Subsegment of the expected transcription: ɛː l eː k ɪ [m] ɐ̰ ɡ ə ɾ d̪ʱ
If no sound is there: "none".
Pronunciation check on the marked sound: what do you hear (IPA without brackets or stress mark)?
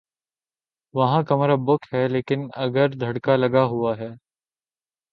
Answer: n